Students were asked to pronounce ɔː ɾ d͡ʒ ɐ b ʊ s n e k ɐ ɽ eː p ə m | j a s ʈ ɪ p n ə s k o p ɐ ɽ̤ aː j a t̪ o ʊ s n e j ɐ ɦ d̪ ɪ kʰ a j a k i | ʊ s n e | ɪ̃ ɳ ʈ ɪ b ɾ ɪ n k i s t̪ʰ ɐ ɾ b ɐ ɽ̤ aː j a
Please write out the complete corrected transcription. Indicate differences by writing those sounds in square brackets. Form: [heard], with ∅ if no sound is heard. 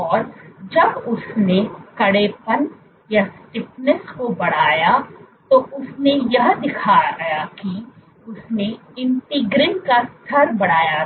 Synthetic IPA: ɔː ɾ d͡ʒ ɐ b ʊ s n e k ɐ ɽ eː p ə [n] | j a s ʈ ɪ p n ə s k o [b] ɐ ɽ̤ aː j a t̪ o ʊ s n e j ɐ ɦ d̪ ɪ kʰ a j a k i | ʊ s n e | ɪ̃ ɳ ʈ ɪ [ɡ] ɾ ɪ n k [a] s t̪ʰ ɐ ɾ b ɐ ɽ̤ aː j a